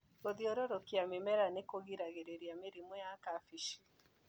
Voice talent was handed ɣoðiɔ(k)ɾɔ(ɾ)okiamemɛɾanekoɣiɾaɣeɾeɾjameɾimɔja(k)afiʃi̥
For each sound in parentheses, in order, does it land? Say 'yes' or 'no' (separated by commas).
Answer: no, yes, yes